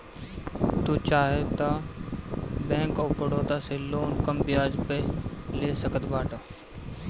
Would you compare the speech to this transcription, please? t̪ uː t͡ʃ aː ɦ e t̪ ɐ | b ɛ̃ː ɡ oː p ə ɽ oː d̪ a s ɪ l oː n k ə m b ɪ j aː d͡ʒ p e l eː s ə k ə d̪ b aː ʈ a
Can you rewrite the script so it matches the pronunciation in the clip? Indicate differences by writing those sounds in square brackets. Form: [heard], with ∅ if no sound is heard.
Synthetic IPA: t̪ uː t͡ʃ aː ɦ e t̪ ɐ | b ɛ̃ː [k] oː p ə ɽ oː [t̪] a s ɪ l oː n k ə m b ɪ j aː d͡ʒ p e l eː s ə k ə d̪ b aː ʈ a